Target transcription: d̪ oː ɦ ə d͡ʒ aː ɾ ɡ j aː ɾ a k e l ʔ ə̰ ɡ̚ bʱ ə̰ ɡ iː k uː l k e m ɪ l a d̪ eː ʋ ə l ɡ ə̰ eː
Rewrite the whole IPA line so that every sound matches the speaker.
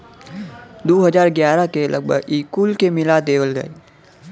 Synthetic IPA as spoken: d̪ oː ɦ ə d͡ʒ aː ɾ ɡ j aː ɾ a k e l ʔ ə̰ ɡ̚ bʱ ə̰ ɡ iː k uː l k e m ɪ l a d̪ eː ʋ ə l ɡ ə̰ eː